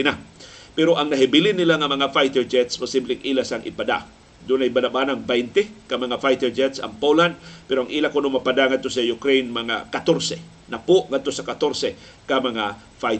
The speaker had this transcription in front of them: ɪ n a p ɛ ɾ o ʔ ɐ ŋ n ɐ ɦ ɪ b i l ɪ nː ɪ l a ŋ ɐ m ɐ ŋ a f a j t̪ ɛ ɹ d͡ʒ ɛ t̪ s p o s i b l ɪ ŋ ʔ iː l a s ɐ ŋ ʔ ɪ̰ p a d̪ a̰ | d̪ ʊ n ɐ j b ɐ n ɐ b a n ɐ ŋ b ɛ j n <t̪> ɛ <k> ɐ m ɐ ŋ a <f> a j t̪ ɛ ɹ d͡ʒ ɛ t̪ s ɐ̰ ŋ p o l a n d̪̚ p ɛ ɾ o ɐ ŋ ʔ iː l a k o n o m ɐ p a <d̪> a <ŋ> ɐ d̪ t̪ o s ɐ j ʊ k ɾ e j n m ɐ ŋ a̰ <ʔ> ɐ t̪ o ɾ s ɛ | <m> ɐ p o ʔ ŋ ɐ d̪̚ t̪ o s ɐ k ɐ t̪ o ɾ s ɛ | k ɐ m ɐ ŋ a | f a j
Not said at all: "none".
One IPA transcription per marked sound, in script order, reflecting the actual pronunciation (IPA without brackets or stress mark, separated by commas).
t̪, k, f, d̪, ŋ, k, n